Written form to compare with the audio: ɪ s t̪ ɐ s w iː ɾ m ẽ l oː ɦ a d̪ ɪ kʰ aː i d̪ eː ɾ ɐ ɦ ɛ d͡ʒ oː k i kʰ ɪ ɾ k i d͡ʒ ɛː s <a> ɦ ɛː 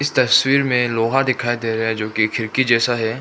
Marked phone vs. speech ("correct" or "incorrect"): correct